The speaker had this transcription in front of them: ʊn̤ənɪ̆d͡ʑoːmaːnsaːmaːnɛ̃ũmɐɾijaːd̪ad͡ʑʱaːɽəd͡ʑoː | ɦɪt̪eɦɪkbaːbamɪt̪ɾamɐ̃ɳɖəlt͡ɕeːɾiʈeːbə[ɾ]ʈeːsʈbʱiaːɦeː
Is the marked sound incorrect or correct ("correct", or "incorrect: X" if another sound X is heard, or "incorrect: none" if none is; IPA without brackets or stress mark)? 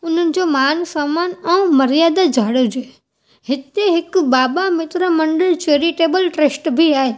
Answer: incorrect: l